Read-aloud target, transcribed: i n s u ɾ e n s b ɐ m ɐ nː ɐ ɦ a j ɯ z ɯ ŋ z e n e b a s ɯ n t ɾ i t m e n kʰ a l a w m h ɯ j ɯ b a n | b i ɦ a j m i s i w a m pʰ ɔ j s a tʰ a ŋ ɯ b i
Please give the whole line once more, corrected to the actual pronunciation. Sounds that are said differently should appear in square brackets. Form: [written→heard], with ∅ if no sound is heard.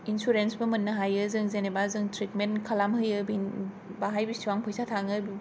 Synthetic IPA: i n s u ɾ e n s b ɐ m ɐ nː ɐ ɦ a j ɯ z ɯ ŋ z e n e b a [s→z] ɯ [n→ŋ] t ɾ i t m e n kʰ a l a [w→∅] m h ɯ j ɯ b [a→i] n | b [i→a] ɦ a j [m→b] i s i w a [m→ŋ] pʰ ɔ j s a tʰ a ŋ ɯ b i